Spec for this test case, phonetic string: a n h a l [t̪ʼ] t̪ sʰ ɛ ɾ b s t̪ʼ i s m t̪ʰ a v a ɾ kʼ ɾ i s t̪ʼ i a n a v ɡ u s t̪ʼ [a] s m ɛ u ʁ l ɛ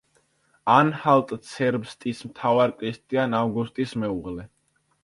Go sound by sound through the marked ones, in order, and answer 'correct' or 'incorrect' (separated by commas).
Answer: correct, incorrect